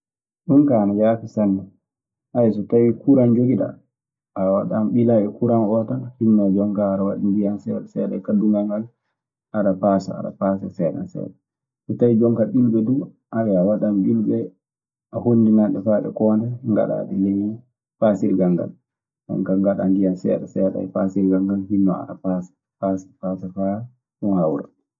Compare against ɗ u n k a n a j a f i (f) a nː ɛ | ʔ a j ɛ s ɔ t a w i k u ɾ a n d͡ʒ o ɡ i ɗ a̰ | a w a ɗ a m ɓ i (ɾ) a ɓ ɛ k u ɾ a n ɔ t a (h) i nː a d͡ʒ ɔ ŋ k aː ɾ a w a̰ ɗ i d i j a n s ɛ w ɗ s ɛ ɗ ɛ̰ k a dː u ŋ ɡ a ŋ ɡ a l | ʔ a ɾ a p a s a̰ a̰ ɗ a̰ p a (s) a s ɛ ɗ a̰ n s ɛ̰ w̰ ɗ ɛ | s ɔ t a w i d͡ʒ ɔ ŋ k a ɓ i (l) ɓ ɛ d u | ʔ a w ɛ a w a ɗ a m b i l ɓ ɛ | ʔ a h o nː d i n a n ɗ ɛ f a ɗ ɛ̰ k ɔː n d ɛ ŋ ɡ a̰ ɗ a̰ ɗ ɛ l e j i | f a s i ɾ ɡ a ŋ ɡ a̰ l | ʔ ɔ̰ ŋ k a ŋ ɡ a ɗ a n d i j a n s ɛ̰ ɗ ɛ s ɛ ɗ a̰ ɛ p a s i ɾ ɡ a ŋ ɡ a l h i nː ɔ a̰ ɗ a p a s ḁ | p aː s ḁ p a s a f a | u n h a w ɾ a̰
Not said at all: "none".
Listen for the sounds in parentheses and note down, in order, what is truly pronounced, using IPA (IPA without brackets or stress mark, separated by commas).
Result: s, l, h, s, l